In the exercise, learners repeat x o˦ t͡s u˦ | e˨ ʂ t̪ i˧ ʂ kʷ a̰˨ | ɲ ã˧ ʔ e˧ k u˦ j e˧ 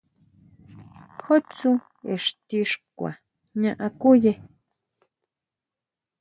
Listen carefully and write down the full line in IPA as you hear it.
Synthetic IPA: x o˦ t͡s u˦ | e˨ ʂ t̪ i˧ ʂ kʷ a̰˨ | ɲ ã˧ ʔ a˧ k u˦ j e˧